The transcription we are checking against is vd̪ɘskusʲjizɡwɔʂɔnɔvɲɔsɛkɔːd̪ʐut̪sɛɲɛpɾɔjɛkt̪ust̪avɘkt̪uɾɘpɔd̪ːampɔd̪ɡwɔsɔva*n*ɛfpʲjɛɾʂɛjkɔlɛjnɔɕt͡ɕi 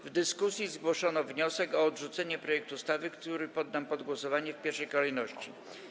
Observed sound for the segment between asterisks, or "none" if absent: ɲ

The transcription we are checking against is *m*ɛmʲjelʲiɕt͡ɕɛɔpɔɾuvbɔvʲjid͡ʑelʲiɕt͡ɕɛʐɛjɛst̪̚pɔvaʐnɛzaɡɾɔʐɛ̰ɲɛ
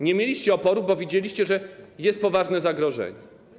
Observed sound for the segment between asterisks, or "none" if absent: ɲ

